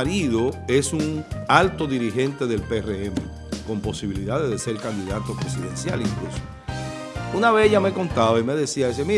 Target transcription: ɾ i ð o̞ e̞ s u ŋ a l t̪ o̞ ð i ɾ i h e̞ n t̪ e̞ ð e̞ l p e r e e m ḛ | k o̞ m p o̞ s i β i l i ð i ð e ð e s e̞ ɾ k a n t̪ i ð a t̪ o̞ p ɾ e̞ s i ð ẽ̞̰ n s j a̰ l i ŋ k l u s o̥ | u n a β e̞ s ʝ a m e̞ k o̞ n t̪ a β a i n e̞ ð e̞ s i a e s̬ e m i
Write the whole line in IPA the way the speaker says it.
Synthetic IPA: ɾ i ð o̞ e̞ s u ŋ a l t̪ o̞ ð i ɾ i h e̞ n t̪ e̞ ð e̞ l p e r e e m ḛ | k o̞ m p o̞ s i β i l i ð a ð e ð e s e̞ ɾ k a n d̪ i ð a t̪ o̞ p ɾ e̞ s i ð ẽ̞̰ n s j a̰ l i ŋ k l u s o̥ | u n a β e̞ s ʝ a m e̞ k o̞ n t̪ a β a i m e̞ ð e̞ s i a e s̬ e m i